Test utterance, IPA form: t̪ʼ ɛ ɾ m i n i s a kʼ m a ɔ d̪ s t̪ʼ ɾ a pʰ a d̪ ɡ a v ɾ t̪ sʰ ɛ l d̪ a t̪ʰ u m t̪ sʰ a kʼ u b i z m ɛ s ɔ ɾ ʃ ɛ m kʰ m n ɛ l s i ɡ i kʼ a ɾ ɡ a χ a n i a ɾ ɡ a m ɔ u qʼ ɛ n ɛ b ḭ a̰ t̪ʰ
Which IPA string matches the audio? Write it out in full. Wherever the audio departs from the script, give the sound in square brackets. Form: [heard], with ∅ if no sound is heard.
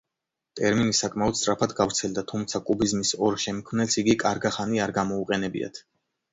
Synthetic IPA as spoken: t̪ʼ ɛ ɾ m i n i s a kʼ m a ɔ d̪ s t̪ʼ ɾ a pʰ a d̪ ɡ a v ɾ t̪ sʰ ɛ l d̪ a t̪ʰ u m t̪ sʰ a kʼ u b i z m [i] s ɔ ɾ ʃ ɛ m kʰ m n ɛ l s i ɡ i kʼ a ɾ ɡ a χ a n i a ɾ ɡ a m ɔ u qʼ ɛ n ɛ b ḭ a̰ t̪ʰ